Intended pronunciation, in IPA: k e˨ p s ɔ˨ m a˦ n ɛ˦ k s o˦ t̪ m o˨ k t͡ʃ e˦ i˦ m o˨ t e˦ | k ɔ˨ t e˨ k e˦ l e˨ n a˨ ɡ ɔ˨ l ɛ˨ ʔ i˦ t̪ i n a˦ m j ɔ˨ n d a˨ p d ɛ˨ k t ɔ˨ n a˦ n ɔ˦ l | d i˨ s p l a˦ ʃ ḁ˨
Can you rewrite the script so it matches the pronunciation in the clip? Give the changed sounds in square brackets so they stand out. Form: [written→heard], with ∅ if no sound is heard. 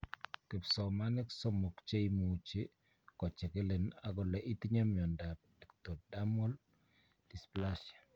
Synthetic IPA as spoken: k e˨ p s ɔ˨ m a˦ n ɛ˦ k s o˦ [t̪→∅] m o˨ k t͡ʃ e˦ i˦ m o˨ [t→t͡ʃ] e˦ | k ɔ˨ [t→t͡ʃ] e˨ k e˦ l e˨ n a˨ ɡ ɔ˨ l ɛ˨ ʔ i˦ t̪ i [n→ɲ] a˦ m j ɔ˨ n d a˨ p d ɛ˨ k t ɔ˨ [n→d] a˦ [n→m] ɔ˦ l | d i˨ s p l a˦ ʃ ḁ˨